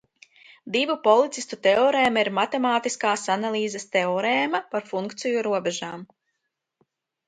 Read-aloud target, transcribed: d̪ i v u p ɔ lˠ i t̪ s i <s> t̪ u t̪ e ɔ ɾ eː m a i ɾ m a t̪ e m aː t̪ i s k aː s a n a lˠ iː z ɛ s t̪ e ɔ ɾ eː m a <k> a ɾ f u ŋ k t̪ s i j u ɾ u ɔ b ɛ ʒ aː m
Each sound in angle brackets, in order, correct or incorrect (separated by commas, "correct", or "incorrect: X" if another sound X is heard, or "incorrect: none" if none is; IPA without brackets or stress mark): correct, incorrect: p